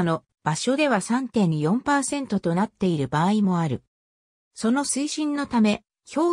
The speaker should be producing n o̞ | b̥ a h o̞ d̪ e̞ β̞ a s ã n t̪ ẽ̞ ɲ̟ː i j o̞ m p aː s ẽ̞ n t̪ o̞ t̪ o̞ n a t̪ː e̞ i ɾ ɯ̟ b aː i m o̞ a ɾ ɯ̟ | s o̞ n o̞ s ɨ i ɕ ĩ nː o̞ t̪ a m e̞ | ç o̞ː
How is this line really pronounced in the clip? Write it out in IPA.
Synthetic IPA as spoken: n o̞ | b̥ a ɕ o̞ d̪ e̞ β̞ a s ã n t̪ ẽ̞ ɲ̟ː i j õ̞ m p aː s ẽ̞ n t̪ o̞ t̪ o̞ n a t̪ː e̞ i ɾ ɯ̟ b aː i m o̞ a ɾ ɯ̟ | s o̞ n o̞ s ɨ i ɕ ĩ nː o̞ t̪ a m e̞ | ç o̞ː